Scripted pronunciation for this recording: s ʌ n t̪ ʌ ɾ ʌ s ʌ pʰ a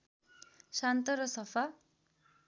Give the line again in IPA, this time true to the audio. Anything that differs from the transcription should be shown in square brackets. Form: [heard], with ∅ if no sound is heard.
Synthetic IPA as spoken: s [a] n t̪ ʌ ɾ ʌ s ʌ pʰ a